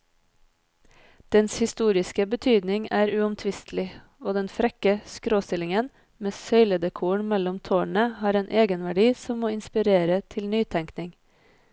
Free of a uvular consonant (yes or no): yes